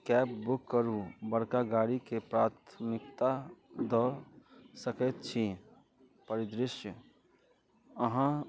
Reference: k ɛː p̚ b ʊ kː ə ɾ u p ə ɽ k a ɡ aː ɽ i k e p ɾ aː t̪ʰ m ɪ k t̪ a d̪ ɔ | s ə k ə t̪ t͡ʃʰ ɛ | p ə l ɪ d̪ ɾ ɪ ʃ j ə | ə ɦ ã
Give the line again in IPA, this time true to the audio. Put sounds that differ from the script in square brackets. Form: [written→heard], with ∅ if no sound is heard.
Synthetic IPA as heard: k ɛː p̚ b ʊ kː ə ɾ u [p→b] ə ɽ k a ɡ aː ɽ i k e p ɾ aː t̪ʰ m ɪ k t̪ a d̪ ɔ | s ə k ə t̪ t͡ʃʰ [ɛ→i] | p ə [l→ɾ] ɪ d̪ ɾ ɪ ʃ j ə | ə ɦ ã